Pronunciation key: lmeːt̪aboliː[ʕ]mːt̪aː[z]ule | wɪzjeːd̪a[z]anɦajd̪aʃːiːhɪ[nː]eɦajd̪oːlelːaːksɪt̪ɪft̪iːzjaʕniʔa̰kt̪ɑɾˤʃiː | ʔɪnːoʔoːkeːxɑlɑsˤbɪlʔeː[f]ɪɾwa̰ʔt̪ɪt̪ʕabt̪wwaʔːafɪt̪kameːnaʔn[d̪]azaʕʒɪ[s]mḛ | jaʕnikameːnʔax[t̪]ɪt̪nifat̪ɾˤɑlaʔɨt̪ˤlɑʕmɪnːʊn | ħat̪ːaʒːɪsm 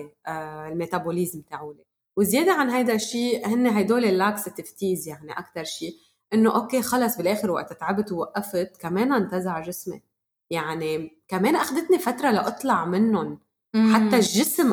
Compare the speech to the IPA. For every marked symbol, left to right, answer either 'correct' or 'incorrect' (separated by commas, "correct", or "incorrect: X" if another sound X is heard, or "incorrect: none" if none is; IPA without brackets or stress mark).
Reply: incorrect: z, incorrect: ʕ, incorrect: ʕ, correct, incorrect: x, incorrect: t̪, correct, incorrect: d̪